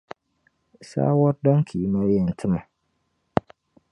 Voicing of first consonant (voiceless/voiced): voiceless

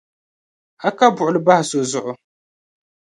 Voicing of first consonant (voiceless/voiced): voiceless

